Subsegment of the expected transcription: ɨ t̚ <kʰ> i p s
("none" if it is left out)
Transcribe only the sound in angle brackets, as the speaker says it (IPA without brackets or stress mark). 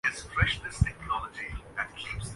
kʰ